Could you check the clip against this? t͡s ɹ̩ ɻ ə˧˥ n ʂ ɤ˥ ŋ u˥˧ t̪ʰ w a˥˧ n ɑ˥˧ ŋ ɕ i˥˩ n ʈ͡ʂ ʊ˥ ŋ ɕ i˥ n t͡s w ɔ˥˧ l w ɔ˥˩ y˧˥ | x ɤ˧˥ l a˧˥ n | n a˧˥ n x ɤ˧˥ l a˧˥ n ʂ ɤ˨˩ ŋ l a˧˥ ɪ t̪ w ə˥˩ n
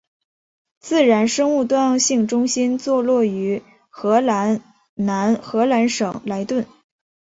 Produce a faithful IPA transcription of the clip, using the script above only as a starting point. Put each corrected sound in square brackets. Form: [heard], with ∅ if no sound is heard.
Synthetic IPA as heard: t͡s ɹ̩ ɻ [a˧˥] n ʂ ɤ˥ ŋ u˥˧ [t̪] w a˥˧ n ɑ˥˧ ŋ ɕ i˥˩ [ŋ] ʈ͡ʂ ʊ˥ ŋ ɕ i˥ n t͡s w ɔ˥˧ l w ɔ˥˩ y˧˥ | x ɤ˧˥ l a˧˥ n | n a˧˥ n x ɤ˧˥ l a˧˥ n ʂ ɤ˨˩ ŋ l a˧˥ ɪ t̪ w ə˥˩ n